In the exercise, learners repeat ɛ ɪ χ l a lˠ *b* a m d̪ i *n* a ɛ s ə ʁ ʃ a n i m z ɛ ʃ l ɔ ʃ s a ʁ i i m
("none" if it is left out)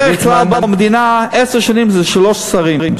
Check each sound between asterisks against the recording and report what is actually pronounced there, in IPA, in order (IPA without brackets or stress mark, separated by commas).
b, n